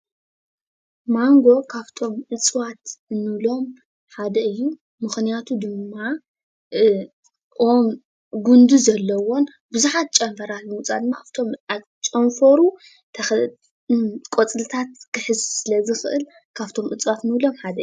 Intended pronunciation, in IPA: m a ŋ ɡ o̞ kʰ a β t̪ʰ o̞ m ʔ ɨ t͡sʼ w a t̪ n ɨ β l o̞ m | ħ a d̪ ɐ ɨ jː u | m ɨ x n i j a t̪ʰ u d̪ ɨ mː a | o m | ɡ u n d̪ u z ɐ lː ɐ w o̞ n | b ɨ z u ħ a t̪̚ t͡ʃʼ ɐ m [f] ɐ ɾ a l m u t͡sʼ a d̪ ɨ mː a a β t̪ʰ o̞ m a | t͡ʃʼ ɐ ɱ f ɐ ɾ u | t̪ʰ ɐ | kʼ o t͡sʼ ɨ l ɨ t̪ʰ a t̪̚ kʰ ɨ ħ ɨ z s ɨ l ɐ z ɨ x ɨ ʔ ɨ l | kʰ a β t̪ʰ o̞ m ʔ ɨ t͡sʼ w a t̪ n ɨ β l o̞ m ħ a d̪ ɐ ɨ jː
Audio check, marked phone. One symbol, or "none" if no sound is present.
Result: f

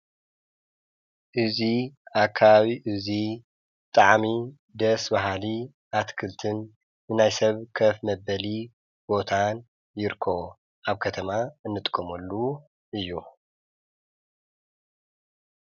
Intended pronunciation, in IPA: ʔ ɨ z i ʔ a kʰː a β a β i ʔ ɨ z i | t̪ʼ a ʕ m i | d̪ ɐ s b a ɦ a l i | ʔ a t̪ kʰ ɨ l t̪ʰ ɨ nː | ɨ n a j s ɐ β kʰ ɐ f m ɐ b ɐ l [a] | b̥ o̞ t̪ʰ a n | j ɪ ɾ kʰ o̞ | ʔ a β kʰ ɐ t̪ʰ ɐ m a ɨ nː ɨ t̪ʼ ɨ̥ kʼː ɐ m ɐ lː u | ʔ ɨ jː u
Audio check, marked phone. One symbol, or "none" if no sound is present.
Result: i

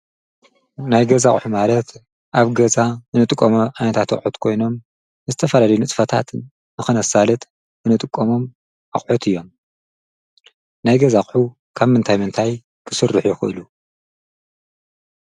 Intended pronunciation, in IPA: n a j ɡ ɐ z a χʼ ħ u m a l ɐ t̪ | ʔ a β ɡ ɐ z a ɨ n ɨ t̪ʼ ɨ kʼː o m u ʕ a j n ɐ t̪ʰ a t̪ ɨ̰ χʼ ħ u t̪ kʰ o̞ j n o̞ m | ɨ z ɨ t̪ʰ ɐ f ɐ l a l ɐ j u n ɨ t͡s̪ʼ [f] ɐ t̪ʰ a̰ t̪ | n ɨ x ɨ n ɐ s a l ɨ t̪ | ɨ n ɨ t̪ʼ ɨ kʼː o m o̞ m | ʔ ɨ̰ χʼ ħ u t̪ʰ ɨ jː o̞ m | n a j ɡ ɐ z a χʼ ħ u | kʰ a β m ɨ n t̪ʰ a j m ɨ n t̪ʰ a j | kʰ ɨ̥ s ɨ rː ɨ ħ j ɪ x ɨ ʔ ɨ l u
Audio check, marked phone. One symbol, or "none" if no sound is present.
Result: f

